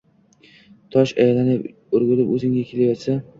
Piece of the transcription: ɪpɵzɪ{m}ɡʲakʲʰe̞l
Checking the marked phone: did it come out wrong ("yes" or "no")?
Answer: yes